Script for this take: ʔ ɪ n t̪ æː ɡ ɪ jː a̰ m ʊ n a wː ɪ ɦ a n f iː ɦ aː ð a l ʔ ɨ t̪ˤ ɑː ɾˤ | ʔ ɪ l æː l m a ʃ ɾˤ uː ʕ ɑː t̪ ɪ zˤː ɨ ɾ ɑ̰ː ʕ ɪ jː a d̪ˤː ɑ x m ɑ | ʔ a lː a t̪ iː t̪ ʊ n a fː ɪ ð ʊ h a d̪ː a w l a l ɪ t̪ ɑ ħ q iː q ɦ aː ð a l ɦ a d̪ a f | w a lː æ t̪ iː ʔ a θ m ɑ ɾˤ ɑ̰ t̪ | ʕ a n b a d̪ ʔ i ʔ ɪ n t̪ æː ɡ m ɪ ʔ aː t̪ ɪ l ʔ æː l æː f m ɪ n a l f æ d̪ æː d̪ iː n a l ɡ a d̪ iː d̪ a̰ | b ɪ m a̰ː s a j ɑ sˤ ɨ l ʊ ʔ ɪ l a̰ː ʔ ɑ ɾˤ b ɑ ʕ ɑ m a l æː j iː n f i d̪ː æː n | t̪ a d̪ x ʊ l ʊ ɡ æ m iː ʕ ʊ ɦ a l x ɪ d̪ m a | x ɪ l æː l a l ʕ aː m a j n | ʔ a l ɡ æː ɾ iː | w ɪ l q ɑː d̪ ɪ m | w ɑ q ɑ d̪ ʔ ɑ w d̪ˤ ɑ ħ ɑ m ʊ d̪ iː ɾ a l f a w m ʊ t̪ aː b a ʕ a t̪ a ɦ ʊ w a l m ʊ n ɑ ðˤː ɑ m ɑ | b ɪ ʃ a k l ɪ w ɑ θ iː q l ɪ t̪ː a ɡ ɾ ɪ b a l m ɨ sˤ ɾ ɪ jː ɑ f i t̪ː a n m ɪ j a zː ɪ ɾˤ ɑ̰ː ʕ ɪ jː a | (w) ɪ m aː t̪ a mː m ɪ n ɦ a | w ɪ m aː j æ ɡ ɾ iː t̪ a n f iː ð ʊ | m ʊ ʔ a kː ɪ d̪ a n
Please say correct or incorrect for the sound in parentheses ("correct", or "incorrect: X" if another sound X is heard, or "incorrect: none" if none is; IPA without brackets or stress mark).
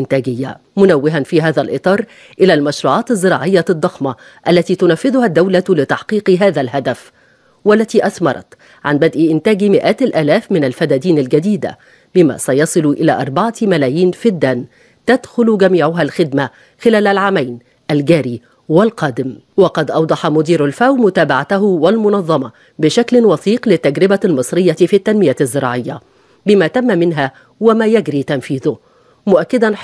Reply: incorrect: b